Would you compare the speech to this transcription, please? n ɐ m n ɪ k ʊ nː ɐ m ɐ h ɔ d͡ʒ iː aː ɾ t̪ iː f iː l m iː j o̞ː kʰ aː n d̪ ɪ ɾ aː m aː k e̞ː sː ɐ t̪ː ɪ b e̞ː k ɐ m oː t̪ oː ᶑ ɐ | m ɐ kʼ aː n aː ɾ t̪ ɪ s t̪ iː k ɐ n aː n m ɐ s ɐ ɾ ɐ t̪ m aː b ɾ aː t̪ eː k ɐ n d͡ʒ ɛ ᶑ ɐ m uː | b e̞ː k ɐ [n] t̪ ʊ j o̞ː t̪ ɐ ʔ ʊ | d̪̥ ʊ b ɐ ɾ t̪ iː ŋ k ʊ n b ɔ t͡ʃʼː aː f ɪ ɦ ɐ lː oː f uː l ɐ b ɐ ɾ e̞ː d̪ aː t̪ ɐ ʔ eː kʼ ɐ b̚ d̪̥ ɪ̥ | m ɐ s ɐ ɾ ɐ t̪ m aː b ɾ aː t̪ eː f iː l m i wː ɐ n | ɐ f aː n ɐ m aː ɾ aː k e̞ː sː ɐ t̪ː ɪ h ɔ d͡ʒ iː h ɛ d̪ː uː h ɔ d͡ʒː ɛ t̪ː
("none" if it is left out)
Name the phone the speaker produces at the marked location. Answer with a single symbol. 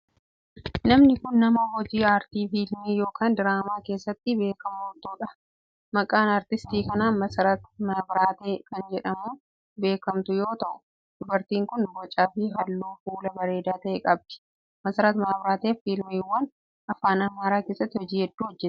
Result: m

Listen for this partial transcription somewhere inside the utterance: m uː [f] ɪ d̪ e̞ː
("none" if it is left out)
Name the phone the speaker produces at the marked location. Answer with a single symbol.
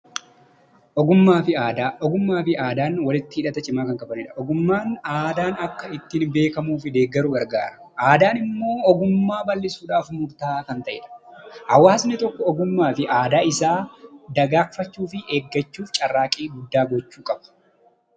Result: f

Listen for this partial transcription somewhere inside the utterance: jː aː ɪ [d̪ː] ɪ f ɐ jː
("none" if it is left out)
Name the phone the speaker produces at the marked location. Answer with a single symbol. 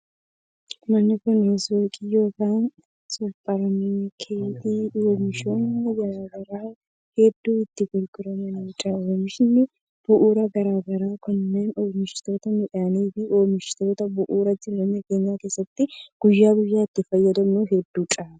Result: t̪ː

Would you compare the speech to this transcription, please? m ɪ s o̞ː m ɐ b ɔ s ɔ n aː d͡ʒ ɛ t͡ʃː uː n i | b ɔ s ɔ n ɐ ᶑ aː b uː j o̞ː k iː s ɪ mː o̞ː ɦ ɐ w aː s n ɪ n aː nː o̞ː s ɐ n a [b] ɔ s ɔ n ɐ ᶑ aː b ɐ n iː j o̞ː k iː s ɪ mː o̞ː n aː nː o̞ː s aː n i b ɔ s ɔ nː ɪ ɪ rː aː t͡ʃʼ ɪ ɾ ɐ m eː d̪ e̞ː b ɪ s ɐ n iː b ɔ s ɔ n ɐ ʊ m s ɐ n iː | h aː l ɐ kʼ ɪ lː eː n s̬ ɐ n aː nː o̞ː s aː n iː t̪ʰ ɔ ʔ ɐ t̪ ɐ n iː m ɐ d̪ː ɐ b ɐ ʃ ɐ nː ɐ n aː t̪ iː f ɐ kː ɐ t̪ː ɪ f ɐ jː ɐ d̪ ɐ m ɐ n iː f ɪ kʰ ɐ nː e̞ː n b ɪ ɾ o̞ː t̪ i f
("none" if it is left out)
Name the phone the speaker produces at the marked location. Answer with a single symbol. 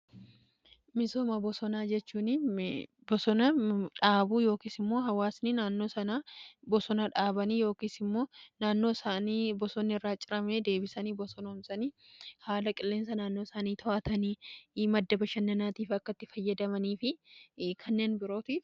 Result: b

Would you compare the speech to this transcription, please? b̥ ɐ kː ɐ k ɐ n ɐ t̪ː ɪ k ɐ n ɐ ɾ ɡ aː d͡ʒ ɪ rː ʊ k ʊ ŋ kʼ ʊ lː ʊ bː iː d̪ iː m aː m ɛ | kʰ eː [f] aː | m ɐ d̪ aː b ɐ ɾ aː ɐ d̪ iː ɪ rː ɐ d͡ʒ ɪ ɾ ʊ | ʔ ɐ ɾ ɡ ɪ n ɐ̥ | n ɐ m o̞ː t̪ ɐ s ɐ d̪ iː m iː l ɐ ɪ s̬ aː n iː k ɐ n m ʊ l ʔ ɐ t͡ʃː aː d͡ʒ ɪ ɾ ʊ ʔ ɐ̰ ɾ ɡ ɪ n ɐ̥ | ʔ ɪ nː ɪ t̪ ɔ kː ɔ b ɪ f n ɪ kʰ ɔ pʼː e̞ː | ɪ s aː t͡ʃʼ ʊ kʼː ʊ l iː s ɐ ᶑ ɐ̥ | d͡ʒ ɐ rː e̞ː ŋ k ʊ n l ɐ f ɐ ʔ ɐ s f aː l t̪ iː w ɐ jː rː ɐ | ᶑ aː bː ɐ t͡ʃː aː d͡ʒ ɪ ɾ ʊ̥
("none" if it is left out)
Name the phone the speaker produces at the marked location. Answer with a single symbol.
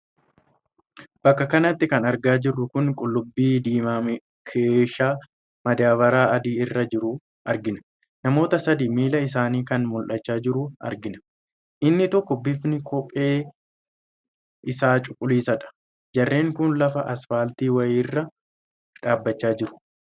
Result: ʃ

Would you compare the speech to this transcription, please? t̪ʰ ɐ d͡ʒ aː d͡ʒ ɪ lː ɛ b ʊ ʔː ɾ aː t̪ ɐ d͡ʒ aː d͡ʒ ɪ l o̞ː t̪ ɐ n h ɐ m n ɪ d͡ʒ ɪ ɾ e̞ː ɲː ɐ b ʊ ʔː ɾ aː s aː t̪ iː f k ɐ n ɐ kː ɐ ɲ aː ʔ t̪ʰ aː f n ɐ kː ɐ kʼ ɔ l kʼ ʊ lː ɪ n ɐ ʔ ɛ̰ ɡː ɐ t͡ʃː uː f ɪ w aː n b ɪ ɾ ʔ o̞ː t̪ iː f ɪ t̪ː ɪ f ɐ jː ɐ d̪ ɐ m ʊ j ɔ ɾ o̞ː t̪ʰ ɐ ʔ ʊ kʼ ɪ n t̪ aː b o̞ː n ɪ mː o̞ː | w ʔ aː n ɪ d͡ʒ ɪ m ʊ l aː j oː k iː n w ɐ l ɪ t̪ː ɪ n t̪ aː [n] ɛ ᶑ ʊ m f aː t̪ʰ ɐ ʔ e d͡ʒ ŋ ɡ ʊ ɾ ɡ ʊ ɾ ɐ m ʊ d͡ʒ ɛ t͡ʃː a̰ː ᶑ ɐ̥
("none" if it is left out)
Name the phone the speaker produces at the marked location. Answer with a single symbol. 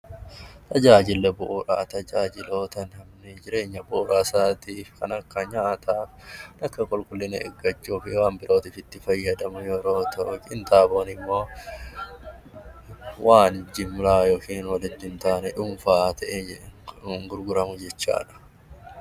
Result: n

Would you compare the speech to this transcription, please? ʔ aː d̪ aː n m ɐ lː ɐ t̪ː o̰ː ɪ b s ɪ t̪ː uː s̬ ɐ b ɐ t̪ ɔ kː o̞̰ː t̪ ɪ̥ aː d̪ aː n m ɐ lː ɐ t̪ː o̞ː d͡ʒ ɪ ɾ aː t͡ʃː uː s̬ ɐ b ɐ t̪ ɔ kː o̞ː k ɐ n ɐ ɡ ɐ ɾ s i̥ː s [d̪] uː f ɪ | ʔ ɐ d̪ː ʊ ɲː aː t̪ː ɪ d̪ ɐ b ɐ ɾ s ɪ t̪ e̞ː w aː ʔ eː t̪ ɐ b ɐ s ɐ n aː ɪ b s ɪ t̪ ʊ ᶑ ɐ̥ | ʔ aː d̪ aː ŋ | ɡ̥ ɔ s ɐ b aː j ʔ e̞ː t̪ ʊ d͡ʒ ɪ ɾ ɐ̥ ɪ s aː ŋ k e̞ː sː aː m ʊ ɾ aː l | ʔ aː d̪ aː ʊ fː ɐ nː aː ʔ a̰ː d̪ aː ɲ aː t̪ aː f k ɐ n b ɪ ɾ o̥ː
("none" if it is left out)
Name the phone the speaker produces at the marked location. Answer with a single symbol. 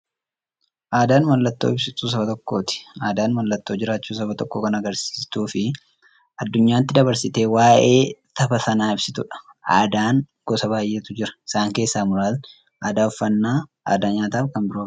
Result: t̪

